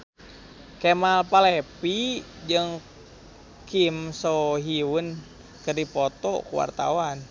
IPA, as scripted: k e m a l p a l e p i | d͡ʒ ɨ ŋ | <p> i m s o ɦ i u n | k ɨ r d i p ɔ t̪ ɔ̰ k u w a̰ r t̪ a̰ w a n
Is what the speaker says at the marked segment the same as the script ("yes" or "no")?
no